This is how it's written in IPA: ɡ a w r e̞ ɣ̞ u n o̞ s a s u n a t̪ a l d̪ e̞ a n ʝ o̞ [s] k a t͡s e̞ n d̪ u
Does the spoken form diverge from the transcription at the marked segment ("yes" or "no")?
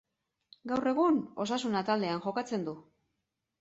yes